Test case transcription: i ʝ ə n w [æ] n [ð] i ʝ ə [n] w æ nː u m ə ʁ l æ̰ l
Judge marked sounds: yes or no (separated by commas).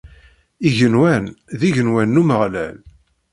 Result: yes, yes, yes